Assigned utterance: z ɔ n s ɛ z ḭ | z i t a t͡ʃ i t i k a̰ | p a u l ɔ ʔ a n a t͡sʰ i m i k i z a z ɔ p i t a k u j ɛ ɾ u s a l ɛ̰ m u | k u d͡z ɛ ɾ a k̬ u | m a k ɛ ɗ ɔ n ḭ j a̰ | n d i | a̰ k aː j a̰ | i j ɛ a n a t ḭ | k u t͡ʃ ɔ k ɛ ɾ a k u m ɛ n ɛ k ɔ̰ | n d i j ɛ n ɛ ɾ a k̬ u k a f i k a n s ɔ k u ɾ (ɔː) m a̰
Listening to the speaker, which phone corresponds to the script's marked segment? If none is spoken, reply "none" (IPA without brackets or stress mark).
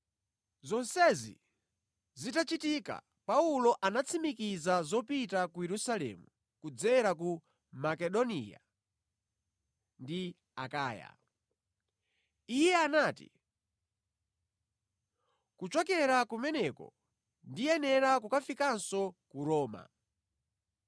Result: ɔː